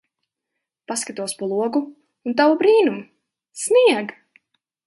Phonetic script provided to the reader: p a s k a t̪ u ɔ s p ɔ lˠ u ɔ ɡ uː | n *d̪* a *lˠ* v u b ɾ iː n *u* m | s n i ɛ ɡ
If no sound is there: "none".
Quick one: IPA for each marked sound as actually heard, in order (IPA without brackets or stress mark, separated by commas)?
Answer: t̪, none, u